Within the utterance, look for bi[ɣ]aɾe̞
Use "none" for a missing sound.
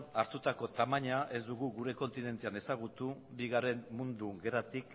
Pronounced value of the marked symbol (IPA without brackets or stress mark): ɣ